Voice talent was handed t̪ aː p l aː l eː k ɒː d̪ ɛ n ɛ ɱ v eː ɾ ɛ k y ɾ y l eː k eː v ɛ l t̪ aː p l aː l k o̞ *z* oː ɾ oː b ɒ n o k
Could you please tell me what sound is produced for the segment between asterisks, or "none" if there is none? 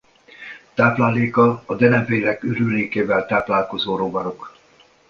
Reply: z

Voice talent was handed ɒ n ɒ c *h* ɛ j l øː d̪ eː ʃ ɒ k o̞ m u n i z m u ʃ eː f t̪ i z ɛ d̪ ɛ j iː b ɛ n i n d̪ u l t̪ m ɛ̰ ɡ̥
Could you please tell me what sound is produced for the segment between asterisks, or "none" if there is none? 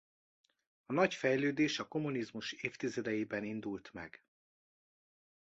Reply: f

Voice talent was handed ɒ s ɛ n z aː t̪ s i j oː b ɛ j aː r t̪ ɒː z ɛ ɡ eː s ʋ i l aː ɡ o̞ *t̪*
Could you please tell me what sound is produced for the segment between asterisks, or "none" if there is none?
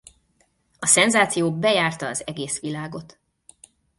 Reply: t̪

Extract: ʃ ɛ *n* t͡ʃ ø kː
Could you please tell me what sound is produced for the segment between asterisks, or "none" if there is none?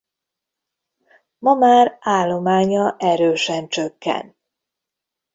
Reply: n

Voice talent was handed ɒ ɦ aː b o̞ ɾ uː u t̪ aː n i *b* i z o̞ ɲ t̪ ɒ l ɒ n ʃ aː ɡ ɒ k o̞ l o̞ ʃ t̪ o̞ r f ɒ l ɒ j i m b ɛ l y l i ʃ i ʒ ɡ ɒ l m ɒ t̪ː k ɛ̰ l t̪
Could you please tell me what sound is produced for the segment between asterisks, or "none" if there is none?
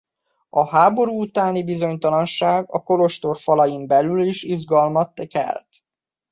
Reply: b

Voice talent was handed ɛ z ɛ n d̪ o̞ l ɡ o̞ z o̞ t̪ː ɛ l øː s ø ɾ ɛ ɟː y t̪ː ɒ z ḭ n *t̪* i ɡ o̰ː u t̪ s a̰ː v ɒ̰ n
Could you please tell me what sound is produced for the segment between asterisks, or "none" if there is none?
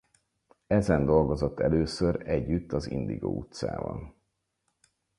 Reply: d̪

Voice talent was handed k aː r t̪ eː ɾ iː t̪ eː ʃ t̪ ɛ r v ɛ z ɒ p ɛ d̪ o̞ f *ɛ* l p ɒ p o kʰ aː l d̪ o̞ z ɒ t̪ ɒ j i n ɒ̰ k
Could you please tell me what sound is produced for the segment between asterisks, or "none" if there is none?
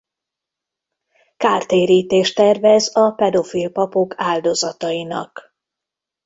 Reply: i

